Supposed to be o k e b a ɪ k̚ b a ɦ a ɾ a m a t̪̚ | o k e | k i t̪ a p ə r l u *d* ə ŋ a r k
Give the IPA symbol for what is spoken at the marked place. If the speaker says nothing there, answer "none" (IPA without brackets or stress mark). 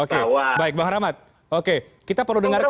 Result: d